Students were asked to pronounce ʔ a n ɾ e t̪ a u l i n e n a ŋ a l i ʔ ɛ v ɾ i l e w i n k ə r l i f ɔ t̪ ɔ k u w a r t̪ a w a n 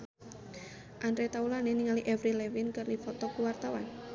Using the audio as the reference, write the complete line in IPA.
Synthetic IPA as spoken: ʔ a n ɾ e t̪ a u l a n e n i ŋ a l i ʔ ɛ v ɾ i l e w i n k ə r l i f ɔ t̪ ɔ k u w a r t̪ a w a n